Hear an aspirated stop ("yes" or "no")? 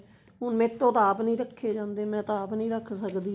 yes